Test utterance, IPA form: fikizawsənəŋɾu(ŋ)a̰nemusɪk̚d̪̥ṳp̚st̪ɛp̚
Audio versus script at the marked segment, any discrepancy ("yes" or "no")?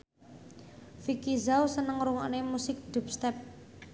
no